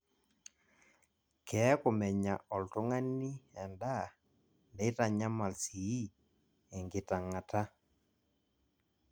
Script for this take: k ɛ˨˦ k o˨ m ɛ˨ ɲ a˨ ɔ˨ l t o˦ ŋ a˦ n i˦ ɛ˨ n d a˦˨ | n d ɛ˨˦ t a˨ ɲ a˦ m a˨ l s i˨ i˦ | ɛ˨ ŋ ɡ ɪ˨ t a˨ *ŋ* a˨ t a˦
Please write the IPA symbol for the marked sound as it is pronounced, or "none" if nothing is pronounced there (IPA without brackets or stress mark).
ŋ